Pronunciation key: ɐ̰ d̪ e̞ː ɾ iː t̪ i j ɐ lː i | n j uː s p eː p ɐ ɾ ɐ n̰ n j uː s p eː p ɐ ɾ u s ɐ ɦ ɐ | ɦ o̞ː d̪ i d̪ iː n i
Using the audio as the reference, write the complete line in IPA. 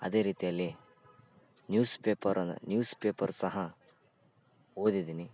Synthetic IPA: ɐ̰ d̪ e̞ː ɾ iː t̪ i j ɐ lː i | n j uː s p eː p ɐ ɾ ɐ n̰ n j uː s p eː p ɐ ɾ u s ɐ ɦ ɐ | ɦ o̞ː d̪ i d̪ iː n i